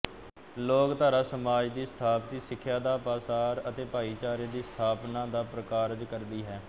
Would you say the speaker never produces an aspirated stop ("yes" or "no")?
no